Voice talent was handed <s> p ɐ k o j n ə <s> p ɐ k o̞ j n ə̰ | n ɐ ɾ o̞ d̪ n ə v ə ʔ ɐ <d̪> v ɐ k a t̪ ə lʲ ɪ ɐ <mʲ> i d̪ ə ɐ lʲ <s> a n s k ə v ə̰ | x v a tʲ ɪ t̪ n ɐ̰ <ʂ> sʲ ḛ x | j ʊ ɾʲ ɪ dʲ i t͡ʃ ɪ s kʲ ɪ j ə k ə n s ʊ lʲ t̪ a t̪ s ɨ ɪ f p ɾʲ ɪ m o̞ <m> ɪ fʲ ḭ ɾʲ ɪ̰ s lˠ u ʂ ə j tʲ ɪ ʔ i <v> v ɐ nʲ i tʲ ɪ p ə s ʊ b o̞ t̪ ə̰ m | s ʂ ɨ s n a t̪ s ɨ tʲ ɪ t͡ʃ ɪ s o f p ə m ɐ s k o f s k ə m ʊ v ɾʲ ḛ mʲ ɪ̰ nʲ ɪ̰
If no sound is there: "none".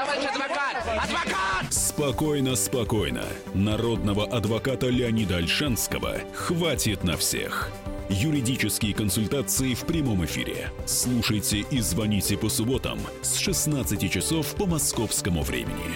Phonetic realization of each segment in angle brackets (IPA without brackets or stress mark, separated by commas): s, s, d̪, nʲ, ʂ, f, m, z